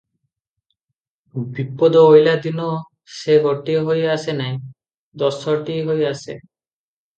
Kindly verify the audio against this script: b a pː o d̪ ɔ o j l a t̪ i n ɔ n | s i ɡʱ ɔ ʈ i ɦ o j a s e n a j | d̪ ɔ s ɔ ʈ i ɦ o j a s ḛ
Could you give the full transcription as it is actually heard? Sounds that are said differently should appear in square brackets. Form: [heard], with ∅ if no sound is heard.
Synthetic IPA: b [i] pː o d̪ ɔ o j l a [d̪] i n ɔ [∅] | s [e] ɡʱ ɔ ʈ i ɦ o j a s e n a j | d̪ ɔ s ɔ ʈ i ɦ o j a s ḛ